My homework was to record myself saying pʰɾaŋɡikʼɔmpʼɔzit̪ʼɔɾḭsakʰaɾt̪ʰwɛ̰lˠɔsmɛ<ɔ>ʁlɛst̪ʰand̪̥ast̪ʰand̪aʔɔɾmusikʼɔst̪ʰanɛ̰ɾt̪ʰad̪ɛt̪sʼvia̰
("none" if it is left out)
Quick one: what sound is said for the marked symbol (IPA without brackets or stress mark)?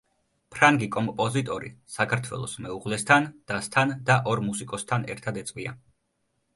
u